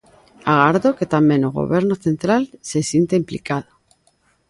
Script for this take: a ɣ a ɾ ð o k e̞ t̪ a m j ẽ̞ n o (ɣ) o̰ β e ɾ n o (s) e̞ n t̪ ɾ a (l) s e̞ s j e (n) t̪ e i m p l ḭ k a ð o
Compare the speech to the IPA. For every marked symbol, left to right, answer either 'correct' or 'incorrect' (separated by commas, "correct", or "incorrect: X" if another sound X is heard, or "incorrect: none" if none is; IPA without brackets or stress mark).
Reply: correct, incorrect: θ, correct, correct